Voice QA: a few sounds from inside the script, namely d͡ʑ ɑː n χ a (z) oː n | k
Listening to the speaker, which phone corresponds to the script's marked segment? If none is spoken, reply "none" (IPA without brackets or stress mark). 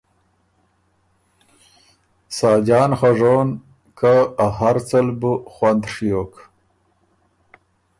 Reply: ʐ